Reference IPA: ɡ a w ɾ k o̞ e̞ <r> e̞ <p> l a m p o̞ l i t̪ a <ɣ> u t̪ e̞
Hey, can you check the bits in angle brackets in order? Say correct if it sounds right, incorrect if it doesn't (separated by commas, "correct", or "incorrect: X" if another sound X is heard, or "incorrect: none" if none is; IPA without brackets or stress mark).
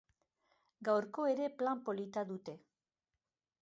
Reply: incorrect: ɾ, correct, incorrect: ð